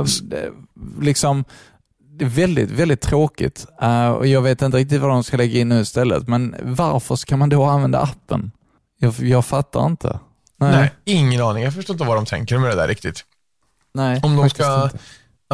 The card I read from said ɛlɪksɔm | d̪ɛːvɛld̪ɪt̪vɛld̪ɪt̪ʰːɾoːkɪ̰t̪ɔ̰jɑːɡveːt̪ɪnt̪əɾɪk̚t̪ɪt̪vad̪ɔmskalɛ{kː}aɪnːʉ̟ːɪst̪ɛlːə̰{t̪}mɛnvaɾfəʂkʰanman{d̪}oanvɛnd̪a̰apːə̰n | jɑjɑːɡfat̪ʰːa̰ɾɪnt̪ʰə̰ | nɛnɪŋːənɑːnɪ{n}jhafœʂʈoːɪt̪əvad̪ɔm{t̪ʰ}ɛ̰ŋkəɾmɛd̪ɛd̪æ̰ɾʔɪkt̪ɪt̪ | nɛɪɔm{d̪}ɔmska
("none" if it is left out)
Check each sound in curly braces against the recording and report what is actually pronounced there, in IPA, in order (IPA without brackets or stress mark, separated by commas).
ɡː, t̪, d̪, ŋ, t̪ʰ, d̪